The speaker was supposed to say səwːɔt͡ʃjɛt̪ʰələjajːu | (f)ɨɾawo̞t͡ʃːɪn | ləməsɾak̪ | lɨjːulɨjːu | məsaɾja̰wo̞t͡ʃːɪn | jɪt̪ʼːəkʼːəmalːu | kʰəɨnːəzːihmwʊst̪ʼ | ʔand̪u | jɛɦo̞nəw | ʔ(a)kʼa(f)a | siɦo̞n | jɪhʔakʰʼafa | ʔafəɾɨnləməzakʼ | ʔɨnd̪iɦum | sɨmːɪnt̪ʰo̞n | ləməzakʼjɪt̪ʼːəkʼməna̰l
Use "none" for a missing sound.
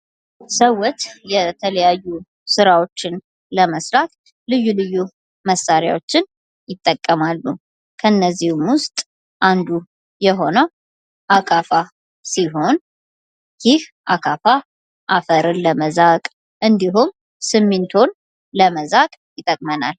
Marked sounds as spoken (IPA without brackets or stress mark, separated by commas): s, a, f